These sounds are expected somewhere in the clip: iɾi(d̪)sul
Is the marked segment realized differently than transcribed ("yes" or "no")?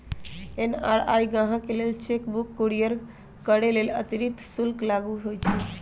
yes